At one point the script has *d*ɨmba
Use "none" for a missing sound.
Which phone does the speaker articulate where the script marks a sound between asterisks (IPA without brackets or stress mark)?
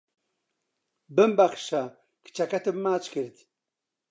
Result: b